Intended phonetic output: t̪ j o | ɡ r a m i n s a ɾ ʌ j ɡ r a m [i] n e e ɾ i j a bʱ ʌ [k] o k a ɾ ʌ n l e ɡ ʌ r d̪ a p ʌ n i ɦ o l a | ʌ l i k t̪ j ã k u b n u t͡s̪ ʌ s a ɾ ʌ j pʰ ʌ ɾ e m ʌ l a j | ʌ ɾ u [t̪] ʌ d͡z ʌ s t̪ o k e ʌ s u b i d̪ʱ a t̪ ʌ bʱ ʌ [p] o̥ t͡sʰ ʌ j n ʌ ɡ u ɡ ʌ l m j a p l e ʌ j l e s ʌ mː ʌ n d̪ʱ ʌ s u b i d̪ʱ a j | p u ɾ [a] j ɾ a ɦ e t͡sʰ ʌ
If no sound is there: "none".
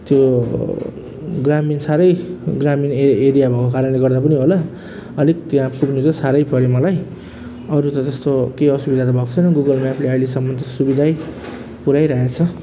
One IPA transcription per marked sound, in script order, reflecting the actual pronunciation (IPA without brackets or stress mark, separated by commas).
i, k, t̪, k, a